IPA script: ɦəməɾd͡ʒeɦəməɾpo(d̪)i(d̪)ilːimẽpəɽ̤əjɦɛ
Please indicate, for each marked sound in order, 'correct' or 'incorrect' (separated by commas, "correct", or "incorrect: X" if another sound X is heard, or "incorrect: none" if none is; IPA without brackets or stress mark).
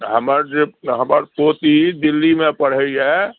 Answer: incorrect: t̪, correct